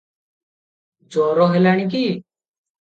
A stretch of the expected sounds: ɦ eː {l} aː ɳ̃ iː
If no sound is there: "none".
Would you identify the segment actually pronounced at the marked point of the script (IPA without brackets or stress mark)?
l